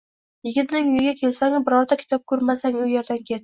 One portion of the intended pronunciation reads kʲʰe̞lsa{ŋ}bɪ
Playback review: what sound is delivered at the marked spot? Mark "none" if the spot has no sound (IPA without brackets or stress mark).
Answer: ŋ